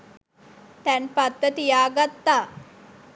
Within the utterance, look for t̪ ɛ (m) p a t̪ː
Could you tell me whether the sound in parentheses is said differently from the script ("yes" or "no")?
yes